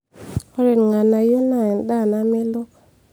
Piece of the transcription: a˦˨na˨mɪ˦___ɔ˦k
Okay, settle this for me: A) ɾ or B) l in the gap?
B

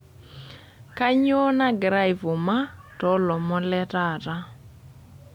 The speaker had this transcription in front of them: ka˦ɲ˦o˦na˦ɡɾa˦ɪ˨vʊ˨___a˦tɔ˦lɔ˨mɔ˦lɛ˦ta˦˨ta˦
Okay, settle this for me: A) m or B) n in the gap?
A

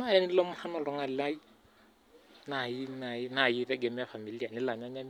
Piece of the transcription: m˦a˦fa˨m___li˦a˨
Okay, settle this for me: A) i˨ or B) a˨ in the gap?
A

